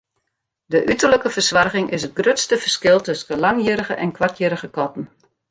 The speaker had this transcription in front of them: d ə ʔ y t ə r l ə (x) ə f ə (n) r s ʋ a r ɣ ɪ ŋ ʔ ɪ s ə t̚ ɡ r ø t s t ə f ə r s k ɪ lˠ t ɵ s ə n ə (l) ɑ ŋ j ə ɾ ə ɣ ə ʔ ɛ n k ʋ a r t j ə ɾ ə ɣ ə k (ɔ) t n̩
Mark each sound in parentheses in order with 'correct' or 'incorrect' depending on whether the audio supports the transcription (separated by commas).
incorrect, incorrect, correct, correct